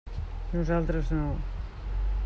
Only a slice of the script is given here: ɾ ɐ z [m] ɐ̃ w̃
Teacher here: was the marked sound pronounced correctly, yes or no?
no